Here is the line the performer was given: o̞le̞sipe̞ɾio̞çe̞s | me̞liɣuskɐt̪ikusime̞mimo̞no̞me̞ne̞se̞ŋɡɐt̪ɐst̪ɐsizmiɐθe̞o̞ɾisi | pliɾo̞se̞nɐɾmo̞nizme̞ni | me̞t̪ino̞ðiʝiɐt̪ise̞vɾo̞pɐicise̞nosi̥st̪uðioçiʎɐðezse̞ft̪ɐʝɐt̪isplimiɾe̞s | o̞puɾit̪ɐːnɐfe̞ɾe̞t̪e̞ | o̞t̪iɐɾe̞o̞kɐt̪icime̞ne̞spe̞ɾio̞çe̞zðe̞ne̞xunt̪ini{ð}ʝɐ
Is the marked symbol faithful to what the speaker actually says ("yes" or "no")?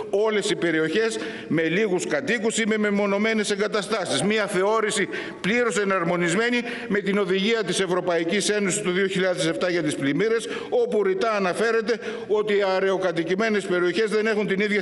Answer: yes